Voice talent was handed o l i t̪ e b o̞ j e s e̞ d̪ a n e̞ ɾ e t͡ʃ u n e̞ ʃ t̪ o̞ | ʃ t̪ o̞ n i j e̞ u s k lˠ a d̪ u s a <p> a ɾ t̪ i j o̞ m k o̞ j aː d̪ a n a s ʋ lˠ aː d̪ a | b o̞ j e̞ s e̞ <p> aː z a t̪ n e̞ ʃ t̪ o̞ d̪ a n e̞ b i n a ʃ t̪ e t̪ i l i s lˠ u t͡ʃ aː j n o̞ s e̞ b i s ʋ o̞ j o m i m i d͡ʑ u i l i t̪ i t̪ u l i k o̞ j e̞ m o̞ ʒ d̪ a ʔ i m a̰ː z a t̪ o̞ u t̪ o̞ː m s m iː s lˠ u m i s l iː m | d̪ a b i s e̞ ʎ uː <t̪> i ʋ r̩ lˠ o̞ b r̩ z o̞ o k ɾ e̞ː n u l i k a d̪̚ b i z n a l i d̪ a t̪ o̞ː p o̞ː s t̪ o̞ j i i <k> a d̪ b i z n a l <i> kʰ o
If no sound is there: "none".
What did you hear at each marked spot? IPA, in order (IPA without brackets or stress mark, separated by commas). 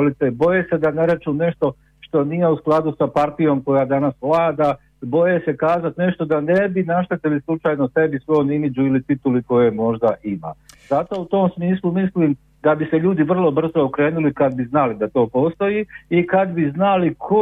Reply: p, k, d̪, k, i